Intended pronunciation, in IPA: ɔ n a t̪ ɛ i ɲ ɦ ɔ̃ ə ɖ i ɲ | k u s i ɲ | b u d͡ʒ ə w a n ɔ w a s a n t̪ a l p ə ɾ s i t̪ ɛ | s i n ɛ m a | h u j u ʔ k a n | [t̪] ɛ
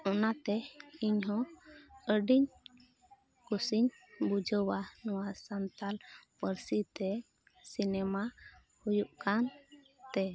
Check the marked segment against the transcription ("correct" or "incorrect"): correct